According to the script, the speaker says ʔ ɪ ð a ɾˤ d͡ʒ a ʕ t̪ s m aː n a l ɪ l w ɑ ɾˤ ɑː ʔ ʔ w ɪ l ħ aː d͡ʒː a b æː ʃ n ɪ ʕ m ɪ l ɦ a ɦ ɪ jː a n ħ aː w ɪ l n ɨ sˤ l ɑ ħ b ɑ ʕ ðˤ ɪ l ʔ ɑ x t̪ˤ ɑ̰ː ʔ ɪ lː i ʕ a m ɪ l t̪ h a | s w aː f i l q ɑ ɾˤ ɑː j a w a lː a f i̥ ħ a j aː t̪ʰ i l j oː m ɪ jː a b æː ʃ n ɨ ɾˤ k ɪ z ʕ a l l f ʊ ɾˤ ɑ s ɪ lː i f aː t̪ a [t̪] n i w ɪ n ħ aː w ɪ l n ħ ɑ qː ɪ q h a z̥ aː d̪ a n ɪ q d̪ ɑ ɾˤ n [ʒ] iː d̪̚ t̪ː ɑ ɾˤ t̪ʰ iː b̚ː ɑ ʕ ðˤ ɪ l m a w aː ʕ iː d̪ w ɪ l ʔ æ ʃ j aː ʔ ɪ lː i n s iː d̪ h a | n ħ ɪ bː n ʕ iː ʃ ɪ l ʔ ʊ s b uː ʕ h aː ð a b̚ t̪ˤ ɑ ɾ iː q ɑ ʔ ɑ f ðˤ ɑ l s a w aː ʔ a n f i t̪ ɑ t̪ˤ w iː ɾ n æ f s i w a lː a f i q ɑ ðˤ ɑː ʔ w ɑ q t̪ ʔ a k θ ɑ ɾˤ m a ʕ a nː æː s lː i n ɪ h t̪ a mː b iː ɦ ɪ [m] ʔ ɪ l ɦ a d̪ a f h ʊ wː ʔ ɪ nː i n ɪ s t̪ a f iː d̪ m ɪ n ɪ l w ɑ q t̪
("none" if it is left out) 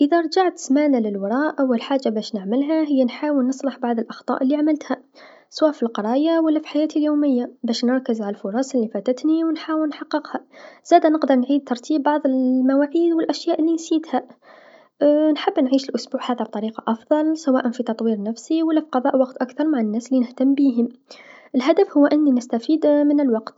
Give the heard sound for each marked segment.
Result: t̪, ʕ, m

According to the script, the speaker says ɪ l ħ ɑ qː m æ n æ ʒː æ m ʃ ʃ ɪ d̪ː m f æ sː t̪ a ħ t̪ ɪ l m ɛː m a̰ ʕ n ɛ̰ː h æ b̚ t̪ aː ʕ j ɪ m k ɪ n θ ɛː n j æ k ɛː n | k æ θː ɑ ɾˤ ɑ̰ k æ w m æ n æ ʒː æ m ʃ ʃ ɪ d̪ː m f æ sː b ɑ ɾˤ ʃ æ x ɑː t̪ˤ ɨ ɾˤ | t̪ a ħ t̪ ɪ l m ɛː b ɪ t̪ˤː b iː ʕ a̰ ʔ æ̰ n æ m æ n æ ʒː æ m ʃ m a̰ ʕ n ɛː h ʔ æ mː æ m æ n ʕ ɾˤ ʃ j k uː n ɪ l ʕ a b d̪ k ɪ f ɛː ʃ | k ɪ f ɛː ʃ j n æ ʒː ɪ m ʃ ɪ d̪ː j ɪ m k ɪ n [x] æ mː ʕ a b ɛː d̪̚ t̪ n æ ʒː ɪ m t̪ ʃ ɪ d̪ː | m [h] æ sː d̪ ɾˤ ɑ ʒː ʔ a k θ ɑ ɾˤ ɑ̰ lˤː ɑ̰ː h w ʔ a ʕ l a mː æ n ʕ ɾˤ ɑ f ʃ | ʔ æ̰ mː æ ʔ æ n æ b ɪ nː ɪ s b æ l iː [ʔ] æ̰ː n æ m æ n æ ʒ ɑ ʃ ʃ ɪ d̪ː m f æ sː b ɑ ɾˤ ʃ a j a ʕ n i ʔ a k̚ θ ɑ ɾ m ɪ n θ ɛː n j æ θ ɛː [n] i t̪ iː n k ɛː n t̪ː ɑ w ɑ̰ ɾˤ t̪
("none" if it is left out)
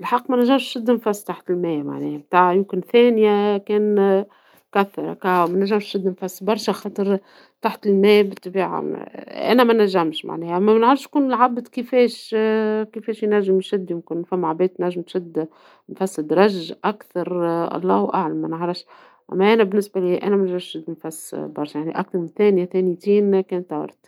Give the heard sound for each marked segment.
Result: f, f, ʔ, n

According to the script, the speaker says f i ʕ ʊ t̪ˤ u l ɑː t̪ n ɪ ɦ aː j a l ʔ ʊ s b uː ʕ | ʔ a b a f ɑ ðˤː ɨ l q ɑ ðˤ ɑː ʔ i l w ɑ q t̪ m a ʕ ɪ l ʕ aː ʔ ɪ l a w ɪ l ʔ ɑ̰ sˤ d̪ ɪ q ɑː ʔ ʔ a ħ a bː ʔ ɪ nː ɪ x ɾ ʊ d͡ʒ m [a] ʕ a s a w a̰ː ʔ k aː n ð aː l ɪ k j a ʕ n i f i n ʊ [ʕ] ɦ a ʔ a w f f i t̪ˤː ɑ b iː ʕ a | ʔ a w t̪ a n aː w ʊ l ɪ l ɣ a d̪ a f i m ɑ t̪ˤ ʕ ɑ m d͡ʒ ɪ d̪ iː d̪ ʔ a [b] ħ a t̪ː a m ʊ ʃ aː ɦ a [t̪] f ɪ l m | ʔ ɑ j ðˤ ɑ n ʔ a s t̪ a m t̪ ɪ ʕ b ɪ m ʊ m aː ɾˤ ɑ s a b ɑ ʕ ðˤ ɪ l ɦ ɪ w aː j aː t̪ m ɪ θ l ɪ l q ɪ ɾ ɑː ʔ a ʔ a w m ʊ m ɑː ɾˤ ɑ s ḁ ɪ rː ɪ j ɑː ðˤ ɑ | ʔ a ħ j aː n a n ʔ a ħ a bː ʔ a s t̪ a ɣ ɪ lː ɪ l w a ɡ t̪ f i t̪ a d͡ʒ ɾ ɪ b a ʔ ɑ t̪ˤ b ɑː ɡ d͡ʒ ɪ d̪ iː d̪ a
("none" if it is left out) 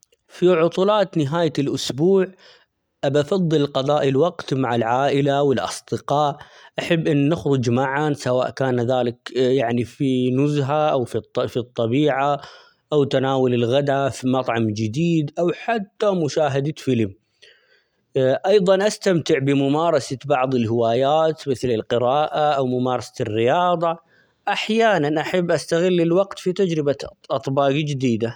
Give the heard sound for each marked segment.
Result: a, z, w, d̪

